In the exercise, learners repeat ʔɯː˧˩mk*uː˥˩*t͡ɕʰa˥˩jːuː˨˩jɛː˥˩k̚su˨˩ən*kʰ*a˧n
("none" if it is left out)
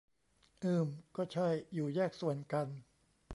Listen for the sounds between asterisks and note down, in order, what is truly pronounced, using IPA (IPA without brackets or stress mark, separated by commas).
ɔː˥˩, k